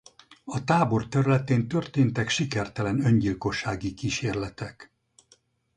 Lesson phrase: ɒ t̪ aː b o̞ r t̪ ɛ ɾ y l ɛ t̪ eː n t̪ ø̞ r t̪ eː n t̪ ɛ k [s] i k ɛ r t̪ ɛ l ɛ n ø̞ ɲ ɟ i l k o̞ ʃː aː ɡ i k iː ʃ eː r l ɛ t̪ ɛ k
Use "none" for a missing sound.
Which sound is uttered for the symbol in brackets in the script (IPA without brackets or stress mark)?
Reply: ʃ